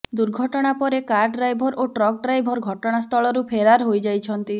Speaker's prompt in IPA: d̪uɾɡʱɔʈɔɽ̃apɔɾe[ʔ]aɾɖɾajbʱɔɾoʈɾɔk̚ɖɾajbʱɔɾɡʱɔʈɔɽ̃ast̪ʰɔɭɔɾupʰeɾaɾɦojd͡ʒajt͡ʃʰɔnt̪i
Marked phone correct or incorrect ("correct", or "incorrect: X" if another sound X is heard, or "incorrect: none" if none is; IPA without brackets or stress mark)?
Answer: incorrect: k